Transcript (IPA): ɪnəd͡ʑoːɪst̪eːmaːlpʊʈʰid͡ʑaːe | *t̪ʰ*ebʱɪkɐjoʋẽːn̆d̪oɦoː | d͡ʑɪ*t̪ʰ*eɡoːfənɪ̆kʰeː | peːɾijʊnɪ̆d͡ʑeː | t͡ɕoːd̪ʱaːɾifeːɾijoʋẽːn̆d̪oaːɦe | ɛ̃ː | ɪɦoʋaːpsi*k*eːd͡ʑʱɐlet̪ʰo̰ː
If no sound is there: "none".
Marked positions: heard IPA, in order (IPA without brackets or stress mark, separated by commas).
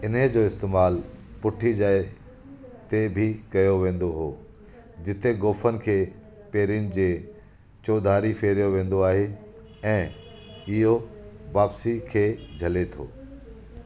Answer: t̪, t̪, kʰ